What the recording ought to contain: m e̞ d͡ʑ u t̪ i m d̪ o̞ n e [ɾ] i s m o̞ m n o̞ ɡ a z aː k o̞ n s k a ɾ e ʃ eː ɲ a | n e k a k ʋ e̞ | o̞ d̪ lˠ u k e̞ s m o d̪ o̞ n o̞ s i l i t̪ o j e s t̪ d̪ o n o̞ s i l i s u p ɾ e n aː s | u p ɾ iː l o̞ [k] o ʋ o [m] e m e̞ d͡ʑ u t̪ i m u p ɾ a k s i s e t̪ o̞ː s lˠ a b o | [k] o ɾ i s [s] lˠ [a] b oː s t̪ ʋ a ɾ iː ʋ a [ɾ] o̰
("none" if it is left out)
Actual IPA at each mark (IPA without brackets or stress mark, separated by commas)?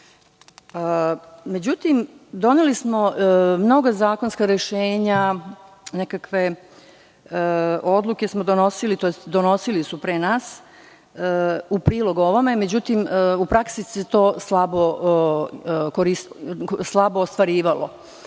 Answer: l, ɡ, m, k, s, a, l